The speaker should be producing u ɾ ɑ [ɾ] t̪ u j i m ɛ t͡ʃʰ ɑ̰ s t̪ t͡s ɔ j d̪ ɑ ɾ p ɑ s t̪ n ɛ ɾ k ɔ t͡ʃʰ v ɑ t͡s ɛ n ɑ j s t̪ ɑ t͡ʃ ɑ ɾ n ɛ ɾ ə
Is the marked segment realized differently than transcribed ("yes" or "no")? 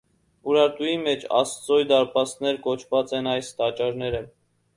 no